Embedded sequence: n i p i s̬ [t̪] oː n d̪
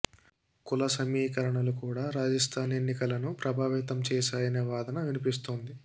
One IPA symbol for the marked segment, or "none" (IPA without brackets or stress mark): t̪